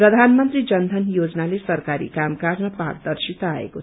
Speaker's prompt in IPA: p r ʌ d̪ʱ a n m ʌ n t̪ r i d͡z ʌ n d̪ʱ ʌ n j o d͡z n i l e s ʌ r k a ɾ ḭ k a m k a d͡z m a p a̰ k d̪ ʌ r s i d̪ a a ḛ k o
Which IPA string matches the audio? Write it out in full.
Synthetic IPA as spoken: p r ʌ d̪ʱ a n m ʌ n t̪ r i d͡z ʌ n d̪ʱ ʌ n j o d͡z n a l e s ʌ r k a ɾ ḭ k a m k a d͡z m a p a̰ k d̪ ʌ r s i t̪ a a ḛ k o